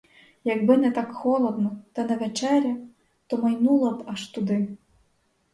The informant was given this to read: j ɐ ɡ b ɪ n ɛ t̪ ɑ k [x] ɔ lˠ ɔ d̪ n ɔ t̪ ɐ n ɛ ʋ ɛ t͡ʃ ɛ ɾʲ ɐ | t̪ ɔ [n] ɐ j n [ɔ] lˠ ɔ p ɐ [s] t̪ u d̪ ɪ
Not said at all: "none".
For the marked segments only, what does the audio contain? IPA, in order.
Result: x, m, u, ʃ

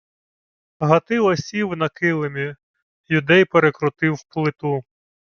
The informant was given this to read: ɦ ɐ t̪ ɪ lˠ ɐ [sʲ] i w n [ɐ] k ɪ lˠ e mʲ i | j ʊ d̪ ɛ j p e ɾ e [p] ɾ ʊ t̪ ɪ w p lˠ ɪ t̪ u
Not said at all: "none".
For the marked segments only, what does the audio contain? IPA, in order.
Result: sʲ, ɐ, k

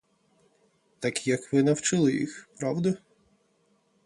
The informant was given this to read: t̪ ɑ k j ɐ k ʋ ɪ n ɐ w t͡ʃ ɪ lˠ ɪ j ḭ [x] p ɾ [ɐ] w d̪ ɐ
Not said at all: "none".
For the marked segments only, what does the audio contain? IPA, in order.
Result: x, ɑ

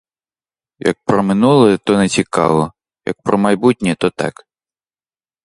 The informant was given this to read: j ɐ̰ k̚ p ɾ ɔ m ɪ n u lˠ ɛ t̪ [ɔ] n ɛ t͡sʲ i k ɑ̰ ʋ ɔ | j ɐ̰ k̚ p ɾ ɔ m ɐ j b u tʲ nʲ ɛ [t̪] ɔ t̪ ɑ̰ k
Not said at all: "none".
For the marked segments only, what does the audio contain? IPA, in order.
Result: ɔ, t̪

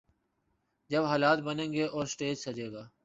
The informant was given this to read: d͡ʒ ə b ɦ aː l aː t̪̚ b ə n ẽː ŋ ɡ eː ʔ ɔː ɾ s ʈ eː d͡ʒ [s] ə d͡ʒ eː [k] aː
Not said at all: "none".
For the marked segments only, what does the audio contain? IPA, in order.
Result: s, ɡ

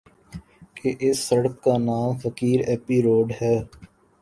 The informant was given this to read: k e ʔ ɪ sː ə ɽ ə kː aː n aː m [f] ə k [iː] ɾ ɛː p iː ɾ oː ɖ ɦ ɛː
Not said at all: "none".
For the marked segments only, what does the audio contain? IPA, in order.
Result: f, iː

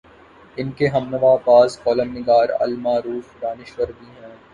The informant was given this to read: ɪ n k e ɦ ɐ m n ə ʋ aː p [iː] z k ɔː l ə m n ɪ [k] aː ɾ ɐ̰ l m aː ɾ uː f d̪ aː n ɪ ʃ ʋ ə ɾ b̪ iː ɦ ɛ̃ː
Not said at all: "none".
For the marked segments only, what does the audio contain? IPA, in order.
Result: aː, ɡ

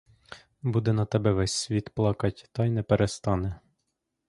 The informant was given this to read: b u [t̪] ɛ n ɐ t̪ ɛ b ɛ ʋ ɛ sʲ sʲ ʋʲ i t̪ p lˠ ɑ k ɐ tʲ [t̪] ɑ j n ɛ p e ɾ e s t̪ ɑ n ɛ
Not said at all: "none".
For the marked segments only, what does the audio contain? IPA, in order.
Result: d̪, t̪

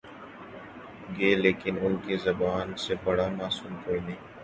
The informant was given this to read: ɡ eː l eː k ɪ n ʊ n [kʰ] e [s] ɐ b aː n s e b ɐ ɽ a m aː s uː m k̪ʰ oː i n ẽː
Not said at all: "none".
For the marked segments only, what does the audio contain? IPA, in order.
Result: k, z

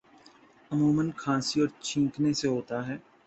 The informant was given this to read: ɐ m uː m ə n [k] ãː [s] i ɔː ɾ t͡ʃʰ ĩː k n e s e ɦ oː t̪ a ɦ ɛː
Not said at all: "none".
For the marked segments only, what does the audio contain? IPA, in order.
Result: kʰ, s

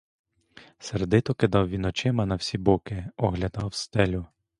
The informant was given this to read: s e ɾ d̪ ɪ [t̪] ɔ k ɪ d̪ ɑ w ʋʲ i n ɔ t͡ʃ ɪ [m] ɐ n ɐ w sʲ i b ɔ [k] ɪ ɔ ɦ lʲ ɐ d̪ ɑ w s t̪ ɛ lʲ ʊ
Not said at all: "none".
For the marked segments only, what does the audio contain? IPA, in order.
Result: t̪, m, k

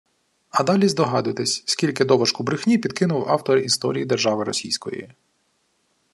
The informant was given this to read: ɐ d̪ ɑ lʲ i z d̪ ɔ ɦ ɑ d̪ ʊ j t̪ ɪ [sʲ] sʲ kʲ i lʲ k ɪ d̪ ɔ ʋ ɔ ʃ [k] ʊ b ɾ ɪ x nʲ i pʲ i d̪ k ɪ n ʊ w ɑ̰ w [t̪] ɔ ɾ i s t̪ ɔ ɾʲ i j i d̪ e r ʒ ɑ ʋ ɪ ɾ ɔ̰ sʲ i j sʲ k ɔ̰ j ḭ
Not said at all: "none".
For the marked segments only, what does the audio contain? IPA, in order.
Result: sʲ, k, t̪

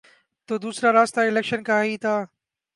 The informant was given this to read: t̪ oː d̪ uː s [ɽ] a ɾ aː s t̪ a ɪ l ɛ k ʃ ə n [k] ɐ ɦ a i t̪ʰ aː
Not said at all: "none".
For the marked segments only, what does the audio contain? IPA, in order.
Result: ɾ, k

